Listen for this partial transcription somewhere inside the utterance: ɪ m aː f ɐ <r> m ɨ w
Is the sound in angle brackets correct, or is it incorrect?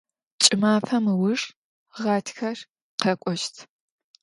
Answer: incorrect